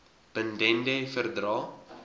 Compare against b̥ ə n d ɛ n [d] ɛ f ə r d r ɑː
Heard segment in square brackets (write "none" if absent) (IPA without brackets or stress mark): d